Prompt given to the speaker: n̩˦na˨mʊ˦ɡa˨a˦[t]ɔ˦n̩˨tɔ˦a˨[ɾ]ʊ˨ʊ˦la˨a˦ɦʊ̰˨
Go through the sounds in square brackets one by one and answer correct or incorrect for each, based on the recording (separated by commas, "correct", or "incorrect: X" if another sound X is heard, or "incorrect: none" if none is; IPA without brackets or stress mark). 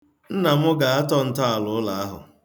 correct, incorrect: l